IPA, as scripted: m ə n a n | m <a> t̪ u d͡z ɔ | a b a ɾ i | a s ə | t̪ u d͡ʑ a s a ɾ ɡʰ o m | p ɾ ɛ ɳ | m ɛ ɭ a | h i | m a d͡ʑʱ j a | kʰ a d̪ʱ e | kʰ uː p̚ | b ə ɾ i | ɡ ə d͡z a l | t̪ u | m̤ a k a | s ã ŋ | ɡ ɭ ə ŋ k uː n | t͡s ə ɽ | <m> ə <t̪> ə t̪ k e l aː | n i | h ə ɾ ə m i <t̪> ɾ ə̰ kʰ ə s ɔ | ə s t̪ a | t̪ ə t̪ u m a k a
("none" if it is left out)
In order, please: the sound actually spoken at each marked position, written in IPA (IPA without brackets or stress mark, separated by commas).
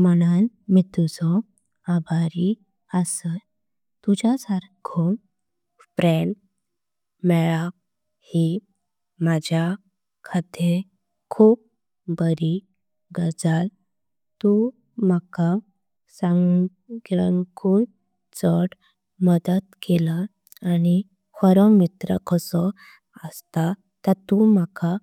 i, m, d̪, t̪